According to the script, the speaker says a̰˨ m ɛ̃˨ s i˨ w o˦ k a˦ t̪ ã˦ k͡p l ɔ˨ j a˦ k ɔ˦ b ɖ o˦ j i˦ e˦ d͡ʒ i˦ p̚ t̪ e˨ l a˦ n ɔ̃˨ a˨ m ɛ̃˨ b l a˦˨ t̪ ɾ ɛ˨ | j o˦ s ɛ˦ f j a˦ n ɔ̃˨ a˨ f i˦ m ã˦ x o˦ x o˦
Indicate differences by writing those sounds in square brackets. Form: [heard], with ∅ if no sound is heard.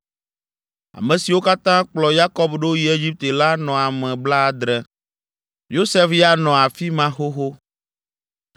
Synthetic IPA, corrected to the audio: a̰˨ m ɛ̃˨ s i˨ w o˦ k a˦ t̪ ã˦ k͡p l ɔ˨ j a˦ k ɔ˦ b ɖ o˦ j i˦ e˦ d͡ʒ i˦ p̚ t̪ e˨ l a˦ n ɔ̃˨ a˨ m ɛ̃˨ b l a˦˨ [d̪] ɾ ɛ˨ | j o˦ s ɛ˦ f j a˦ n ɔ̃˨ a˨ f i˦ m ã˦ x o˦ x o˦